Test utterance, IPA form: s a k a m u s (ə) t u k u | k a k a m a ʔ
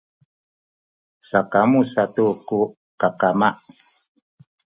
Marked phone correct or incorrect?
incorrect: a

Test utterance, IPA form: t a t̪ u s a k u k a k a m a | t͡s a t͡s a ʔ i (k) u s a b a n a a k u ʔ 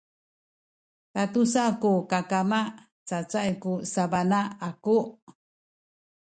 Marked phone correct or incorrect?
correct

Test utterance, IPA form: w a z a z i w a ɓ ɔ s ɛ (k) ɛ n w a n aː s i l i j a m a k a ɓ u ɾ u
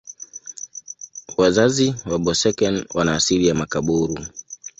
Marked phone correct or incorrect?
correct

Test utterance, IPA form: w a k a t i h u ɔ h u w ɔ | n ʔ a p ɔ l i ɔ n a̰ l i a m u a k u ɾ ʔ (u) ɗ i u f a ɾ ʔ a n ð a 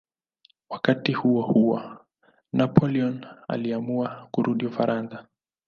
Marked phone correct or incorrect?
correct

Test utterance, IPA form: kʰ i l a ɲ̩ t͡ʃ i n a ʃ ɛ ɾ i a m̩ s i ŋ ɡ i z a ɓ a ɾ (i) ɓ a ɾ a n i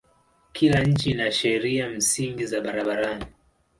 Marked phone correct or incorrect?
incorrect: a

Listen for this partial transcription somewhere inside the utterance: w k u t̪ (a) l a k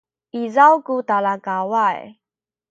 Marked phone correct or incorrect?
correct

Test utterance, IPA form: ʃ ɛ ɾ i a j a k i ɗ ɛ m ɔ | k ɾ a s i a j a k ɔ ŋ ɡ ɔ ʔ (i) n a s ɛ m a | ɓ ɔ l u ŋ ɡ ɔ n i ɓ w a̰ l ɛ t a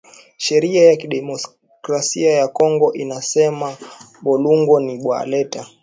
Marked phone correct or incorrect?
correct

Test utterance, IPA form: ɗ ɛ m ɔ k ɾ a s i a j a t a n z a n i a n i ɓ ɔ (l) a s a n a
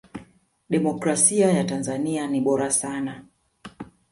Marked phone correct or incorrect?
incorrect: ɾ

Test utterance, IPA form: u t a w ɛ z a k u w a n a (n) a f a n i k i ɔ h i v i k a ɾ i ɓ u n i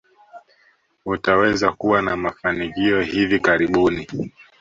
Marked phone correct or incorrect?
incorrect: m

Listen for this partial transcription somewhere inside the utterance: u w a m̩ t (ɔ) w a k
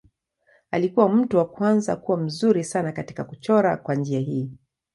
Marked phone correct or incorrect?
incorrect: u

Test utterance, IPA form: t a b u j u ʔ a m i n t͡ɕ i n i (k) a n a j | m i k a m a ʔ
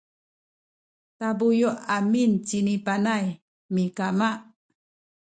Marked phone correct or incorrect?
incorrect: p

